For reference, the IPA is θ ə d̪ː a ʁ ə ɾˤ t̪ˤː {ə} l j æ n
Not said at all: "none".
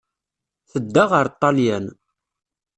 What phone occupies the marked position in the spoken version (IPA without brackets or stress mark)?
ɑ